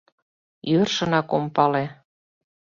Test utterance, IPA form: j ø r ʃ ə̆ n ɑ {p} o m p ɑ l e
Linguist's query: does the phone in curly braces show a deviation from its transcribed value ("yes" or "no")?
yes